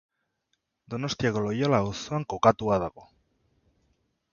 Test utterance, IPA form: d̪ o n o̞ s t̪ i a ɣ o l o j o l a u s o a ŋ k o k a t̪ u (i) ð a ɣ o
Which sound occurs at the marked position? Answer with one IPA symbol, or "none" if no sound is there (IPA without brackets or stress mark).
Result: a